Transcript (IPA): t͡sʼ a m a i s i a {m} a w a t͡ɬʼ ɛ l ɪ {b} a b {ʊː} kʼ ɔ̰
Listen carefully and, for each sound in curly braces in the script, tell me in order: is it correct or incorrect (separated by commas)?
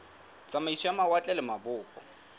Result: correct, incorrect, correct